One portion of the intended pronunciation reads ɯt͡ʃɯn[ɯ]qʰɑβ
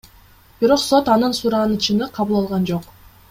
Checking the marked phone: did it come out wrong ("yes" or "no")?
no